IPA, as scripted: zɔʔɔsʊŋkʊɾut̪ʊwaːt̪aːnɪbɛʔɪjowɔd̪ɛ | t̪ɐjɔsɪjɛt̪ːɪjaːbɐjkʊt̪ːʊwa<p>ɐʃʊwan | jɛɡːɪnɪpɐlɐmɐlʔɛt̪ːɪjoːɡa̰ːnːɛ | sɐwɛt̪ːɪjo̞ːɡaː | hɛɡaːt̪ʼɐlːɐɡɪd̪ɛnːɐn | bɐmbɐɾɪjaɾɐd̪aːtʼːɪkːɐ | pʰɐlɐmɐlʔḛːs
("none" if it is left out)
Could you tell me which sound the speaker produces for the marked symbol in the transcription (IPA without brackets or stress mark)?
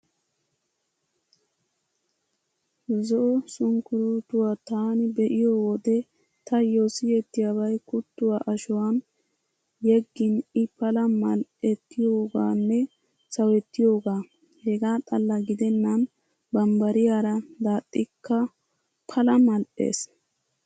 ʔ